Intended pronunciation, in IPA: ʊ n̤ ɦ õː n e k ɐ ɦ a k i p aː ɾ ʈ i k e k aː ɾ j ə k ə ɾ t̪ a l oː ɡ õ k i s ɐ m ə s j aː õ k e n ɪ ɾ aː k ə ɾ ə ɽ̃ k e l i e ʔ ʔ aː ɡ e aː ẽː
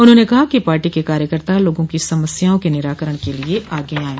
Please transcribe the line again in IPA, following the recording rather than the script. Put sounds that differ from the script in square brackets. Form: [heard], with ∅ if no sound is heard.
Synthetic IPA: ʊ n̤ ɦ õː n e k ɐ ɦ a k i p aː ɾ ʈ i k e k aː ɾ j ə k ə ɾ t̪ a l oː ɡ õ k i s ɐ m ə s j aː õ k e n ɪ ɾ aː k ə ɾ ə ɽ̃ k e l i e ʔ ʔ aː ɡ e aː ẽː